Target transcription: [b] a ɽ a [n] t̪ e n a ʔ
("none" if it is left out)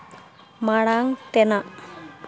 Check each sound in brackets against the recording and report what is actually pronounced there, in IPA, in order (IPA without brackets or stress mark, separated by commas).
m, ŋ